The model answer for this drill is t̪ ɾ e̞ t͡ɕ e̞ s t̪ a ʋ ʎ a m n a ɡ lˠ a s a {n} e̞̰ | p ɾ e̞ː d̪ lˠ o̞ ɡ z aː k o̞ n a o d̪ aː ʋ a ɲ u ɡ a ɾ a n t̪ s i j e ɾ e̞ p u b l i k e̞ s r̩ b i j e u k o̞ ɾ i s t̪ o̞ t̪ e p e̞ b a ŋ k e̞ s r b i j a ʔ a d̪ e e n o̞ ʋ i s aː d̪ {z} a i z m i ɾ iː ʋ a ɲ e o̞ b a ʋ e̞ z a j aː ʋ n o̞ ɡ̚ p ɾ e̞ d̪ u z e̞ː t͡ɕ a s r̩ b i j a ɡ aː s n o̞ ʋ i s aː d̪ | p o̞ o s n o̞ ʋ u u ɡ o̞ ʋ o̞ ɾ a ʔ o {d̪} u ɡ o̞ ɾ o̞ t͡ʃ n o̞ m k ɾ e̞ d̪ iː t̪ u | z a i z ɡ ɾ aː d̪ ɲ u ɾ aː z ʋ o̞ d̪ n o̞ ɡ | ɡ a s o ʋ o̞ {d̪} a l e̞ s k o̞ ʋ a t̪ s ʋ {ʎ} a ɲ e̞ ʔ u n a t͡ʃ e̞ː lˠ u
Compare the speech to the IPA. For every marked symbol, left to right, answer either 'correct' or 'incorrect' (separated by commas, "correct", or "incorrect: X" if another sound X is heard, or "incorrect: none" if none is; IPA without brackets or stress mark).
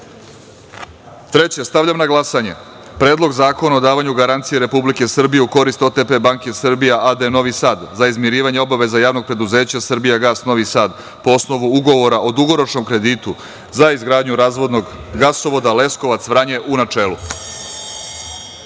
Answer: incorrect: ɲ, correct, correct, correct, incorrect: ɾ